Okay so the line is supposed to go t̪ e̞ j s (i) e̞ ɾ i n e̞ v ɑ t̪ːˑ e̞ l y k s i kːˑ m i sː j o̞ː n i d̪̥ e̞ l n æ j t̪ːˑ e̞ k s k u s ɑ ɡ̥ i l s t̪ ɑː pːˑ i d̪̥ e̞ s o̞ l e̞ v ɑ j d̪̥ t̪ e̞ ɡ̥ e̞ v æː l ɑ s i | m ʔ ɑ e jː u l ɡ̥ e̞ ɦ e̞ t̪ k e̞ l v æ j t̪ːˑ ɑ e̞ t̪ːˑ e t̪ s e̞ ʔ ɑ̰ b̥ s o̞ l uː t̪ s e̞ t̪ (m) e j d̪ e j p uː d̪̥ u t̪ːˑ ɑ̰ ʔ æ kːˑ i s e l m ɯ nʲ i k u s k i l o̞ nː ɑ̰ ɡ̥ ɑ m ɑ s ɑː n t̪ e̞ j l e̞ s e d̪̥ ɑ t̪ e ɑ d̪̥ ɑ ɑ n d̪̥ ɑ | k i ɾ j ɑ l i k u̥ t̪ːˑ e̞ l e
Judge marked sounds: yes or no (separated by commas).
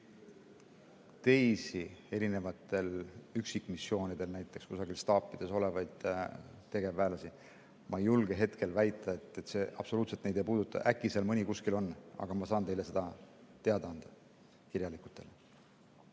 yes, no